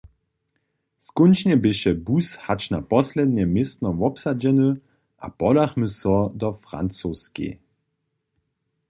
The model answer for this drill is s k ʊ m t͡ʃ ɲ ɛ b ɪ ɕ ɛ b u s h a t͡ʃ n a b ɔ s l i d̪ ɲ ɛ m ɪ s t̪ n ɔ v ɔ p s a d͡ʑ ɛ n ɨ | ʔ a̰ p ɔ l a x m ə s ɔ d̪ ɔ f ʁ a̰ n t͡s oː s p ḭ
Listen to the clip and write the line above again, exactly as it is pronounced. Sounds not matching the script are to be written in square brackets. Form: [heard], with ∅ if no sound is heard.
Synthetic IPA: s k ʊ [n] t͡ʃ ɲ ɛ b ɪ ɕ ɛ b u s h a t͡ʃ n a [p] ɔ s l [ɛ] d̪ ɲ ɛ m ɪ s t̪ n ɔ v ɔ p s a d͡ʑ ɛ n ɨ | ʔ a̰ p ɔ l a x m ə s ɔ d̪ ɔ f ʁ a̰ n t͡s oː s [k] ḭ